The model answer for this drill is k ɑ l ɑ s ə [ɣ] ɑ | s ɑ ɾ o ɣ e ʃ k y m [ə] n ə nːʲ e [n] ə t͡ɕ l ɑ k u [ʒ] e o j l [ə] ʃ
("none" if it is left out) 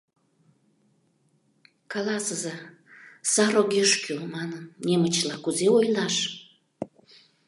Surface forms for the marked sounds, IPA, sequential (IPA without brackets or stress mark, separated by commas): z, ɑ, m, z, ɑ